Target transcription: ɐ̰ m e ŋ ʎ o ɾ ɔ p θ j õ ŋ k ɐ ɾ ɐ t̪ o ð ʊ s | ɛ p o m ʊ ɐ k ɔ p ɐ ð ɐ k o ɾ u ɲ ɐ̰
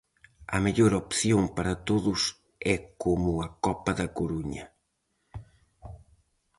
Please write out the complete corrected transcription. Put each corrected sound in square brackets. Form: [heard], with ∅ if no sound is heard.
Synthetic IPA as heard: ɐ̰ m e [∅] ʎ o ɾ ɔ p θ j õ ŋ [p] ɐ ɾ ɐ t̪ o ð ʊ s | ɛ [k] o m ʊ ɐ k ɔ p ɐ ð ɐ k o ɾ u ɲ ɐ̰